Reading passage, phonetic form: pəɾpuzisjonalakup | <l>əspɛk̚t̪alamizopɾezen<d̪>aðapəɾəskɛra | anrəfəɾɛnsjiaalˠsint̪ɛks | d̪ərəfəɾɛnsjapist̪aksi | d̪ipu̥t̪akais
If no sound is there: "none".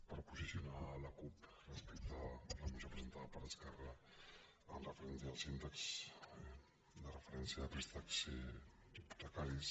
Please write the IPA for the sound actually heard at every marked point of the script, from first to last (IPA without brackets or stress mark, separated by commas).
r, t̪